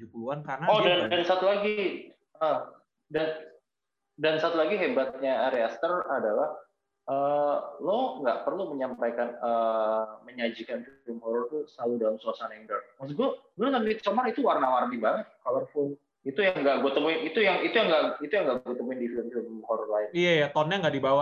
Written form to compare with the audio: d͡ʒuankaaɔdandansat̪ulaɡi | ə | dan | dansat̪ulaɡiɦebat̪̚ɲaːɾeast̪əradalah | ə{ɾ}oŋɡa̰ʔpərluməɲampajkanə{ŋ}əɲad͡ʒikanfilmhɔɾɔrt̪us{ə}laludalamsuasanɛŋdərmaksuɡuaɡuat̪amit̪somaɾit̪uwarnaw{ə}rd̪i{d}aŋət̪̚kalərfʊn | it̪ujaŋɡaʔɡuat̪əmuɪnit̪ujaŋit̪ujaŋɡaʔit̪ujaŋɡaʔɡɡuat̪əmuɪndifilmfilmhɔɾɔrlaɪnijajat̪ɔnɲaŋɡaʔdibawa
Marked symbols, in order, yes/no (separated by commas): no, no, yes, no, no